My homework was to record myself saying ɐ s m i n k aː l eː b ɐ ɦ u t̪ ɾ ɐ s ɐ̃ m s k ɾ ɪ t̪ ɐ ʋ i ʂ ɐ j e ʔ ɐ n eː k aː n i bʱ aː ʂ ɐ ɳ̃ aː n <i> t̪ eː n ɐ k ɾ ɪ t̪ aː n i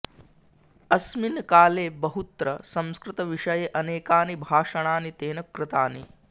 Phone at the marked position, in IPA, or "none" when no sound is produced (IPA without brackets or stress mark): i